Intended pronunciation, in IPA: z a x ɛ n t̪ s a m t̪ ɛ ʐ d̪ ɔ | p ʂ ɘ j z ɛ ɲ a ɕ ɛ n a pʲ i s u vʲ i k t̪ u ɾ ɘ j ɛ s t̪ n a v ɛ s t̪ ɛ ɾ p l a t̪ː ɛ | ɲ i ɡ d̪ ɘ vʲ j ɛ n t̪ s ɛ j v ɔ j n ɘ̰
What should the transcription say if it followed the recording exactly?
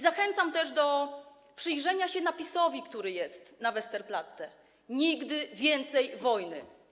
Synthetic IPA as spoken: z a x ɛ n t̪ s a m t̪ ɛ ʐ d̪ ɔ | p ʂ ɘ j ʐ ɛ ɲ a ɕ ɛ n a pʲ i s ɔ vʲ i k t̪ u ɾ ɘ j ɛ s t̪ n a v ɛ s t̪ ɛ ɾ p l a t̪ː ɛ | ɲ i ɡ d̪ ɘ vʲ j ɛ n t̪ s ɛ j v ɔ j n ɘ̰